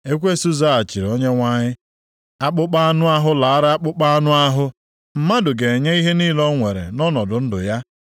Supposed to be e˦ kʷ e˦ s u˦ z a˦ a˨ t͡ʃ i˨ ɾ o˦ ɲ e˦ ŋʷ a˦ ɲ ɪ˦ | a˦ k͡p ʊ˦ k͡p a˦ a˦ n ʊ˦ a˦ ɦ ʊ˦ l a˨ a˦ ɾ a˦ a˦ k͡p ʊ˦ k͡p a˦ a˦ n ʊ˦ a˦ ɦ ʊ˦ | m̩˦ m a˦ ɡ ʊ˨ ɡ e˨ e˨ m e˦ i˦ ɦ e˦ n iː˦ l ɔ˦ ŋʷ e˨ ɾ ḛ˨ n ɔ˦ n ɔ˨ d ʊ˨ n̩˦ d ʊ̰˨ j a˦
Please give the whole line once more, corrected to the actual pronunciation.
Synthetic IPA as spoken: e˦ kʷ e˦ s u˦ z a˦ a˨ t͡ʃ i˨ ɾ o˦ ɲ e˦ ŋʷ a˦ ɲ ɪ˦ | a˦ k͡p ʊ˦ k͡p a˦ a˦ n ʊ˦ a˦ ɦ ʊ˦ l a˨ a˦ ɾ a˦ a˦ k͡p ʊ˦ k͡p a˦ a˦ n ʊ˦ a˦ ɦ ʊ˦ | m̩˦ m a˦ d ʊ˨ ɡ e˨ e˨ ɲ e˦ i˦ ɦ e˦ n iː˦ l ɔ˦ ŋʷ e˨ ɾ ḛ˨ n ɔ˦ n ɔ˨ d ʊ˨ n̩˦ d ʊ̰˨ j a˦